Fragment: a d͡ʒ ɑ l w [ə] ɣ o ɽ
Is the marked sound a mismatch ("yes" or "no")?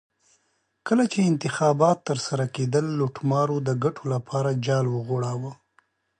no